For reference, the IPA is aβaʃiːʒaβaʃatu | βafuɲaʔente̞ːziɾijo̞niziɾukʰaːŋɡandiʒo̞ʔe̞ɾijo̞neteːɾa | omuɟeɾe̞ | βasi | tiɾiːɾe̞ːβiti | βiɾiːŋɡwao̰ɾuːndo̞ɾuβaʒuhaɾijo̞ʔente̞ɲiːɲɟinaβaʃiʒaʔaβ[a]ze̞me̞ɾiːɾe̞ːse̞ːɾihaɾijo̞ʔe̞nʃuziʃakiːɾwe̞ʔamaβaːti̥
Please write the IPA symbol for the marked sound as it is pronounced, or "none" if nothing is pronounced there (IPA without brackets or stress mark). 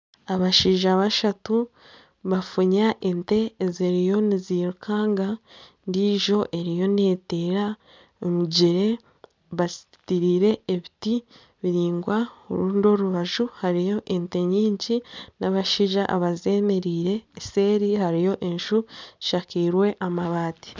a